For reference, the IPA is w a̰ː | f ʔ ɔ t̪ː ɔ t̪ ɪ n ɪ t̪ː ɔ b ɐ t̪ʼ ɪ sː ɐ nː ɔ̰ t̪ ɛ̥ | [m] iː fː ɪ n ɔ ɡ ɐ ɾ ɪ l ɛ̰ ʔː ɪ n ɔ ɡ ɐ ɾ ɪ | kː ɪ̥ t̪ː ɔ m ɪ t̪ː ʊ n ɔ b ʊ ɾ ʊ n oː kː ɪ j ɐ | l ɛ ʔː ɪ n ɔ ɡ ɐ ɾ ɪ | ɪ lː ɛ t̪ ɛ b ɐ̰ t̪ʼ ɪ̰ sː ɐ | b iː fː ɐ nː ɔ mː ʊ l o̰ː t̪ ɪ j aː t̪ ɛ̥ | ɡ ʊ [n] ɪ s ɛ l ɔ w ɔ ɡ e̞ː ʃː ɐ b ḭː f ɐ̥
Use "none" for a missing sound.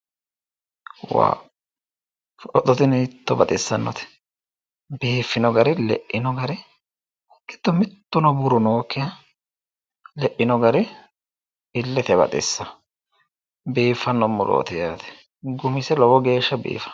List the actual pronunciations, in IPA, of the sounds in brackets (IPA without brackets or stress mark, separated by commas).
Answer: b, m